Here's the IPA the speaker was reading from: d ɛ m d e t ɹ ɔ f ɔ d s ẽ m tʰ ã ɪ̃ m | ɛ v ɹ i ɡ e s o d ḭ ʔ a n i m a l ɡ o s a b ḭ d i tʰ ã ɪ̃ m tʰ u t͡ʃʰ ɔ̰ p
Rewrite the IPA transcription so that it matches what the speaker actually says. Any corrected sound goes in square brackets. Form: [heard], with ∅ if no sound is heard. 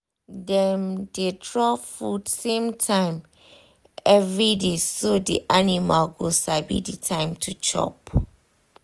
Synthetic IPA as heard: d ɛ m d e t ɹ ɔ f [u] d s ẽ m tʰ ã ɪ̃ m | ɛ v ɹ i [d] e s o d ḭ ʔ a n i m a l ɡ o s a b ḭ d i tʰ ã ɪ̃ m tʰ u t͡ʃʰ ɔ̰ p